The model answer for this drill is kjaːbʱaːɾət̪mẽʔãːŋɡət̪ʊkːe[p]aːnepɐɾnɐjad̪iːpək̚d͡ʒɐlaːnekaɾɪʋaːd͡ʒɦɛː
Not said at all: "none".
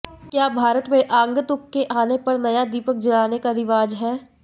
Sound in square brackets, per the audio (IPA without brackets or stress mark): ʔ